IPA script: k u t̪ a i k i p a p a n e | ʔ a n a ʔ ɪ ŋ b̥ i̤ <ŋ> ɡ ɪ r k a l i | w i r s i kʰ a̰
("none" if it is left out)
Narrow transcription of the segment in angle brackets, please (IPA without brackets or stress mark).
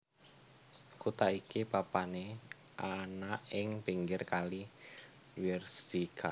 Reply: ŋ